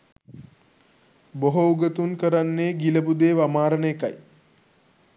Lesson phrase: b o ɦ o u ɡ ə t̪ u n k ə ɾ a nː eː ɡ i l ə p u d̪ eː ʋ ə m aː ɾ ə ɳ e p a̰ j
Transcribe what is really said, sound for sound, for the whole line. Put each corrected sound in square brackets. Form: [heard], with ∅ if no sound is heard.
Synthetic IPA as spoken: b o ɦ o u ɡ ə t̪ u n k ə ɾ a nː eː ɡ i l ə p u d̪ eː ʋ [a] m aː ɾ ə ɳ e [k] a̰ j

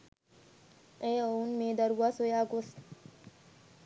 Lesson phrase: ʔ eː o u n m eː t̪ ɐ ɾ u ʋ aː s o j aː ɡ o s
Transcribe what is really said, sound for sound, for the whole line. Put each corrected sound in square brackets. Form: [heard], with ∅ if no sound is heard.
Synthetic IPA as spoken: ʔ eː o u n m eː [d̪] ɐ ɾ u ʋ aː s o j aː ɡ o s

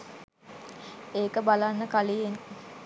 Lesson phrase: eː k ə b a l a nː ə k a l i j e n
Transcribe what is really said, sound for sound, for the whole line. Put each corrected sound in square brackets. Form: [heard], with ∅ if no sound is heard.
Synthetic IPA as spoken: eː k ə b a l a nː ə k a l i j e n

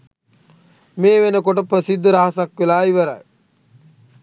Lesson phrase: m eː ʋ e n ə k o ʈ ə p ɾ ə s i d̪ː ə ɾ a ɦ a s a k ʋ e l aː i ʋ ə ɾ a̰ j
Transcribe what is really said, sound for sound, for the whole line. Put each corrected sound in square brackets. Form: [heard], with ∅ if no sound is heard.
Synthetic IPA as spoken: m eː ʋ e n ə k o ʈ ə p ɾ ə s i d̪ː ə ɾ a ɦ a s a k ʋ e l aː i ʋ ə ɾ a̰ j

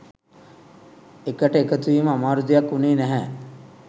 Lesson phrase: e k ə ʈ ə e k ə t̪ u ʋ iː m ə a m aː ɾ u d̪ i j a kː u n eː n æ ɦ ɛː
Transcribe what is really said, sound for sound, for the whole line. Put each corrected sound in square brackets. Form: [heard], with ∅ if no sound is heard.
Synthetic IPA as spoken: e k ə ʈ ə e k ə t̪ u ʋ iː m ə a m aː ɾ u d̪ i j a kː u n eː n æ ɦ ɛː

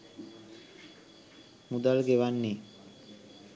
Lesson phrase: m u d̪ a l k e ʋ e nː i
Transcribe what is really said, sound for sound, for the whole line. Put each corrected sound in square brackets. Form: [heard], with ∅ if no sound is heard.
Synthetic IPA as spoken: m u d̪ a l [ɡ] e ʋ [a] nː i

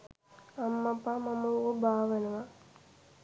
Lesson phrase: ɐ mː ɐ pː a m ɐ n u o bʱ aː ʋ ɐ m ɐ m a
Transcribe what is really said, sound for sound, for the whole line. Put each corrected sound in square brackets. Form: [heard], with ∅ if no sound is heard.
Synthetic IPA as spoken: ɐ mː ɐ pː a m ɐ [m] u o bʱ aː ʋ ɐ [n] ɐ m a

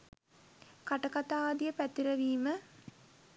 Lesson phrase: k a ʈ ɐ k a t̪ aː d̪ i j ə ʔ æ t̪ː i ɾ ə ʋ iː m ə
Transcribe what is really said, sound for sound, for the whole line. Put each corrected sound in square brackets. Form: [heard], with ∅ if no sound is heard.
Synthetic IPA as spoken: k a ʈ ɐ k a t̪ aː d̪ i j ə [p] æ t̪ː i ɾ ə ʋ iː m ə

